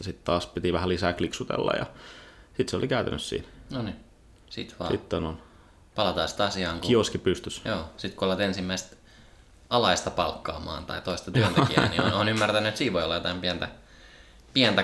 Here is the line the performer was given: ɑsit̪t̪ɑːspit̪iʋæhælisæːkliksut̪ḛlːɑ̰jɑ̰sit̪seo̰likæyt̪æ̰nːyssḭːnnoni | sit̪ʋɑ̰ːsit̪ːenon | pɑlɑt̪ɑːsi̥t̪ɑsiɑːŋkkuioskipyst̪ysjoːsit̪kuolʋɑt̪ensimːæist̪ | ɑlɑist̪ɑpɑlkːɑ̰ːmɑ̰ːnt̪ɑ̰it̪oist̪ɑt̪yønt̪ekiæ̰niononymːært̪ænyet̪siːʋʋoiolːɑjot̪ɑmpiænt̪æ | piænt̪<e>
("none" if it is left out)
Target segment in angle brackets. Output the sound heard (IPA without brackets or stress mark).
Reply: æ